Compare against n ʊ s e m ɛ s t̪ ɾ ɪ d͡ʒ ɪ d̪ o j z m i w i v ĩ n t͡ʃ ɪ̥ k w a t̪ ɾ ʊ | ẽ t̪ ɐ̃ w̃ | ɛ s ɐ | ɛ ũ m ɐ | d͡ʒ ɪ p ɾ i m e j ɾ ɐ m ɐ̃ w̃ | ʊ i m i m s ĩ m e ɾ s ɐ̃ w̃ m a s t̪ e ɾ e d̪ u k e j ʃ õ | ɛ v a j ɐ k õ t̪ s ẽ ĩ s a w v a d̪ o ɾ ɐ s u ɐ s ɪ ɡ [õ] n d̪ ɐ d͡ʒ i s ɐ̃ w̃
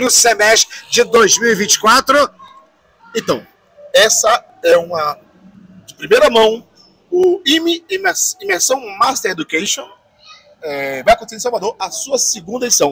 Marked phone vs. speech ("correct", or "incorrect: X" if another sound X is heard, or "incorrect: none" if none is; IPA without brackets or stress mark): incorrect: ũ